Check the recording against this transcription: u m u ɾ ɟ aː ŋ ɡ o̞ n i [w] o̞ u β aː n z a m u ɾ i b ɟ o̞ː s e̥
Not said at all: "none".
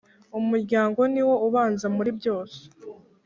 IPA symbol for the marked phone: w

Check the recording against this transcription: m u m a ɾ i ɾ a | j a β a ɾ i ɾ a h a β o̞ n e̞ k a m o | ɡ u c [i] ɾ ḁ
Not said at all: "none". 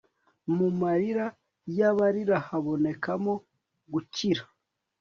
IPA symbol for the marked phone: i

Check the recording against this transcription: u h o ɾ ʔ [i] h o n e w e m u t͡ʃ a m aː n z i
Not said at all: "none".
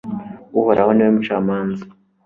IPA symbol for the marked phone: a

